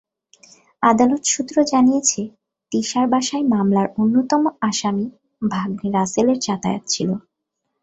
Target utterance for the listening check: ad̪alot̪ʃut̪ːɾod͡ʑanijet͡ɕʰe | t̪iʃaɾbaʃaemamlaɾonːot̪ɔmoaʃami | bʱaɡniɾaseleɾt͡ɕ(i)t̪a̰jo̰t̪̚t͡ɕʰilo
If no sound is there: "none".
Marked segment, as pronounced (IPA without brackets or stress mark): a